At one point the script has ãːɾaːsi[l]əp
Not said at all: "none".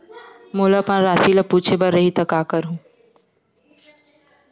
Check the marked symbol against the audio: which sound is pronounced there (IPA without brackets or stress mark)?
l